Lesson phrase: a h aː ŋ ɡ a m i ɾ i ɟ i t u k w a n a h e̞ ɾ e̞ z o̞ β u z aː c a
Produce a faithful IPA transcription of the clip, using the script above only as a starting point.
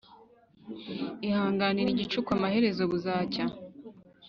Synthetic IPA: i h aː ŋ ɡ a n i ɾ i ɟ i t͡ʃ u k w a m a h e̞ ɾ e̞ z o̞ β u z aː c a